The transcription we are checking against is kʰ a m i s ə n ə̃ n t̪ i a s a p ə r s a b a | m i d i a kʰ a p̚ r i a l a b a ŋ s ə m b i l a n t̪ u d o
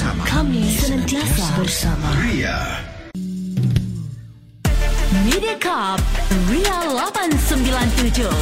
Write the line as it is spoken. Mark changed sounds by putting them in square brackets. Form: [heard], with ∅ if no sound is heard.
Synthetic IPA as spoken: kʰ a m i s ə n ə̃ n t̪ i a s a [b] ə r s a [m] a | m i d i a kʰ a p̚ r i a l a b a [n] s ə m b i l a n t̪ u [d͡ʒ] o